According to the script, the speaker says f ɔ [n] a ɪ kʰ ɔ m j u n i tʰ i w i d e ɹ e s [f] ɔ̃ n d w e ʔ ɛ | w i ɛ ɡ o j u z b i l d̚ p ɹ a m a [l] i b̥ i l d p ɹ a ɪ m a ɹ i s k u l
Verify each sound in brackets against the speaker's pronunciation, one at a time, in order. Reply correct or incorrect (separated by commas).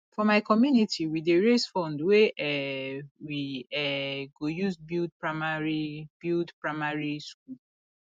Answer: incorrect, correct, incorrect